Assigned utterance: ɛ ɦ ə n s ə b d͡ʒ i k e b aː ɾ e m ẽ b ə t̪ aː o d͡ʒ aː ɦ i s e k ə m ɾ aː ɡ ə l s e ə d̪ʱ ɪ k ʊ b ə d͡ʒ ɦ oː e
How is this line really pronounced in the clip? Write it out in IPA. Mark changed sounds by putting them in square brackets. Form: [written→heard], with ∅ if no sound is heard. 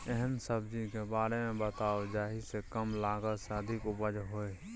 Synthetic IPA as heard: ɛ ɦ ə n s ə b d͡ʒ i k e b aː ɾ e m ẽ b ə t̪ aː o d͡ʒ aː ɦ i s e k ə m [ɾ→l] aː ɡ ə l s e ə d̪ʱ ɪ k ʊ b ə d͡ʒ ɦ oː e